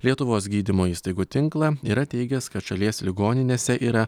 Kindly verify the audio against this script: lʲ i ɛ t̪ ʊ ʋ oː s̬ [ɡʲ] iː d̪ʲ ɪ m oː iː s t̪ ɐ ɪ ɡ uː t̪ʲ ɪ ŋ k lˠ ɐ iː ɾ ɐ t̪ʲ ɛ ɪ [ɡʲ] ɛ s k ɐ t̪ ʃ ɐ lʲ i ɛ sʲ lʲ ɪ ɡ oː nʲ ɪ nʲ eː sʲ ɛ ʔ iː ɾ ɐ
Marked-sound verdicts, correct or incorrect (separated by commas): correct, correct